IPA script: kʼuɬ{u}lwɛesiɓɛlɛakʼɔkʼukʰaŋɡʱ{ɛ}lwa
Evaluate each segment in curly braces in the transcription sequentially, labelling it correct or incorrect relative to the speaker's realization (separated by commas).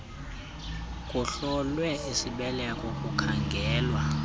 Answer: incorrect, incorrect